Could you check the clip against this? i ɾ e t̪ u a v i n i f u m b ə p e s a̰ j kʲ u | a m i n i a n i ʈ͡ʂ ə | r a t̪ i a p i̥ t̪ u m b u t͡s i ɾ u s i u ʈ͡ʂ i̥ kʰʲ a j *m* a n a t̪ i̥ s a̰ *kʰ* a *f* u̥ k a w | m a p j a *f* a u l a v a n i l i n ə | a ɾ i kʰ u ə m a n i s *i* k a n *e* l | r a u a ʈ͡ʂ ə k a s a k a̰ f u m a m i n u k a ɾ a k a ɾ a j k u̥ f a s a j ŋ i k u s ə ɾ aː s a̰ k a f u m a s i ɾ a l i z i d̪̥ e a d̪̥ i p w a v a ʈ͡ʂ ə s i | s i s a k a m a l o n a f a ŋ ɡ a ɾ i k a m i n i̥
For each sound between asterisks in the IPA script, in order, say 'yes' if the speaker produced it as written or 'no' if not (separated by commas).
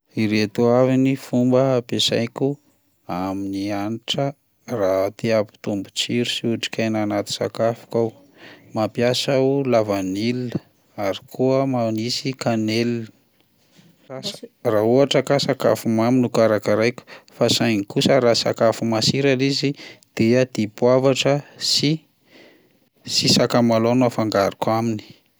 no, no, yes, no, yes, yes